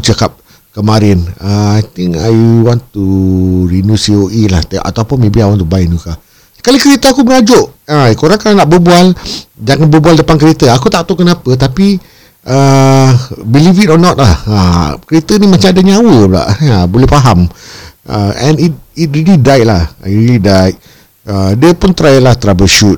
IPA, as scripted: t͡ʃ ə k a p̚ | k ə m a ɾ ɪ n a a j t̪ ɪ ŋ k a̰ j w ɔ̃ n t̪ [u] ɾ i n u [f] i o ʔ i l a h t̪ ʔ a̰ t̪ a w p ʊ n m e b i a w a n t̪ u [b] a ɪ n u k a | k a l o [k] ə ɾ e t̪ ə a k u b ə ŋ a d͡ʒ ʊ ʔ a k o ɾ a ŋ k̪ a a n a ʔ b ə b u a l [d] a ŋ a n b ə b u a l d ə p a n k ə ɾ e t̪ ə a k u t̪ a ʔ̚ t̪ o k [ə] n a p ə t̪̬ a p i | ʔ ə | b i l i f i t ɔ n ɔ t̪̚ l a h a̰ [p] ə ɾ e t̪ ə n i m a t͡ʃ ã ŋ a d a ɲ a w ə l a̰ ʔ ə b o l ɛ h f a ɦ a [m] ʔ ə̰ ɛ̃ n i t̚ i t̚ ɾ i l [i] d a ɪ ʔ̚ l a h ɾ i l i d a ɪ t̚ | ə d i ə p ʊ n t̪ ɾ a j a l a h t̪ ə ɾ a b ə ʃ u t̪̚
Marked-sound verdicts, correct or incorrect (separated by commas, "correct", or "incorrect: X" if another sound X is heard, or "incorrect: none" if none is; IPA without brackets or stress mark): correct, incorrect: s, correct, correct, incorrect: d͡ʒ, correct, incorrect: k, correct, correct